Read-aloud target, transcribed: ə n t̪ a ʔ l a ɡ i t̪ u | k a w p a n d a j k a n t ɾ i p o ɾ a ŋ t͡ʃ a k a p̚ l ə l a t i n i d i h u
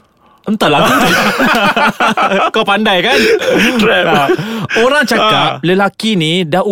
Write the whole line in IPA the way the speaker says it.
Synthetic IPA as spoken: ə n t̪ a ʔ l a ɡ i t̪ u | k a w p a n d a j k a n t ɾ ɛ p o ɾ a ŋ t͡ʃ a k a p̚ l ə l a k i n i d a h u